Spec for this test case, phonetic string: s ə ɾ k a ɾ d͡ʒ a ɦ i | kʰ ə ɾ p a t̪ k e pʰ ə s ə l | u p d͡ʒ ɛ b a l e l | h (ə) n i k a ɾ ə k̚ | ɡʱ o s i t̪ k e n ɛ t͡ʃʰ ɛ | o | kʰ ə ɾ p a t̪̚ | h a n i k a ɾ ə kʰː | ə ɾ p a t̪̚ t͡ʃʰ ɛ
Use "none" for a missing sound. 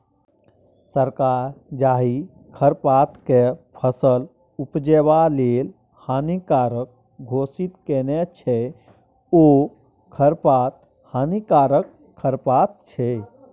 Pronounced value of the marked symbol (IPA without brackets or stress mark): a